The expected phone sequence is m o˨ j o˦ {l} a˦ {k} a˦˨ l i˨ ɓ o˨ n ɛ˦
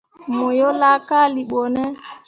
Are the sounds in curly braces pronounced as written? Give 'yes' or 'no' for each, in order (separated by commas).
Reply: yes, yes